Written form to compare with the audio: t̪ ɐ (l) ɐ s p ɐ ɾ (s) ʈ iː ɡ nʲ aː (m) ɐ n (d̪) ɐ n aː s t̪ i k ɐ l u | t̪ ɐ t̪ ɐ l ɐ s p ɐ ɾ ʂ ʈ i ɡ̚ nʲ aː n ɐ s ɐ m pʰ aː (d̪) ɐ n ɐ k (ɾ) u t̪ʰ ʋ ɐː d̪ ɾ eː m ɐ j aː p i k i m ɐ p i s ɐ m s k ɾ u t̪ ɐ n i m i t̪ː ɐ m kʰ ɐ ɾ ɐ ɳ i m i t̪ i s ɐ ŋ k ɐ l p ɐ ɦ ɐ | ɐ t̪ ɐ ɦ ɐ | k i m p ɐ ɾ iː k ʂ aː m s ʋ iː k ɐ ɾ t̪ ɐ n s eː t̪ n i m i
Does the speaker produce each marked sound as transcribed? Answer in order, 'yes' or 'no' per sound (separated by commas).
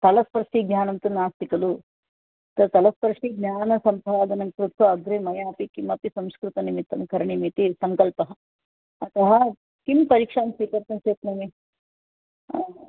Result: yes, no, no, no, yes, yes